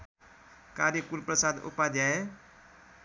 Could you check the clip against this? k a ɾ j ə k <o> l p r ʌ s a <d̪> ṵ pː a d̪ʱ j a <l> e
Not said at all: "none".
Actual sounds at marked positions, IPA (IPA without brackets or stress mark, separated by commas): u, d̪, none